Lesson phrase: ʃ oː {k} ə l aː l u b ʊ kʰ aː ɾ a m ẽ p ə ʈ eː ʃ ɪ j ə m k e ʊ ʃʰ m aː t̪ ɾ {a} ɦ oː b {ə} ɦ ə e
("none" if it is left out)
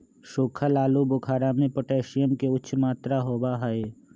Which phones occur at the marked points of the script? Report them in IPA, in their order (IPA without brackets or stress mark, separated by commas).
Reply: kʰ, a, a